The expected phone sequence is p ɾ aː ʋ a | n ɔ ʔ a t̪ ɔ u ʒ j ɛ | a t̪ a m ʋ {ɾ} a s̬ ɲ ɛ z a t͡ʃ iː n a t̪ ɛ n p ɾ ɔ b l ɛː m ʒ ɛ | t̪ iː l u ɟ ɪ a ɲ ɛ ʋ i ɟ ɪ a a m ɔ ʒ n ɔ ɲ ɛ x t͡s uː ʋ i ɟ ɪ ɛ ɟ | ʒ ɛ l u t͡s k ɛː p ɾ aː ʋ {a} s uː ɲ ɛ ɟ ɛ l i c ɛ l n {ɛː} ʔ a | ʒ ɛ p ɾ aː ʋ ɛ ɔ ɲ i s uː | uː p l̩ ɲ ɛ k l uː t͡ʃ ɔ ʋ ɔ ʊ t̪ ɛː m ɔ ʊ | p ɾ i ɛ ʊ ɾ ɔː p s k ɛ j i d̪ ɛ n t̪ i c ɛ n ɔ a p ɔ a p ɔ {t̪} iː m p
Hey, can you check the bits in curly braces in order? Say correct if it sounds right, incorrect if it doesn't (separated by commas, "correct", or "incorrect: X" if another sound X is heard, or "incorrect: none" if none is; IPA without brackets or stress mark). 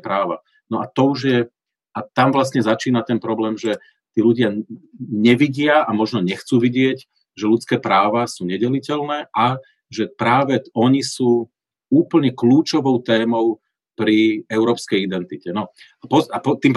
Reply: incorrect: l, correct, correct, correct